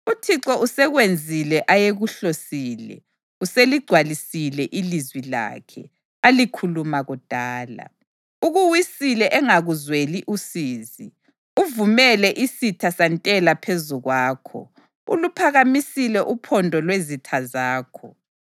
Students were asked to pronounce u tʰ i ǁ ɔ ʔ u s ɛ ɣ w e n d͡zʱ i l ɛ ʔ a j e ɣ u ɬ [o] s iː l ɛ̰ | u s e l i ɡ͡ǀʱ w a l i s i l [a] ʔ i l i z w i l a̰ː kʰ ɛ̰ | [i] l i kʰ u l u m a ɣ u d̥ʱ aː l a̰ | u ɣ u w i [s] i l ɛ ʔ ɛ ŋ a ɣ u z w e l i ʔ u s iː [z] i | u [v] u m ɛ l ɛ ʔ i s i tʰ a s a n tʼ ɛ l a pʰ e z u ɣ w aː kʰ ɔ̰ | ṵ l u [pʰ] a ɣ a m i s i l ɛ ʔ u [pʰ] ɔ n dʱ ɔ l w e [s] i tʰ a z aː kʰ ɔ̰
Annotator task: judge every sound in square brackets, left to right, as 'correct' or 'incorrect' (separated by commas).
correct, incorrect, incorrect, correct, correct, correct, correct, correct, incorrect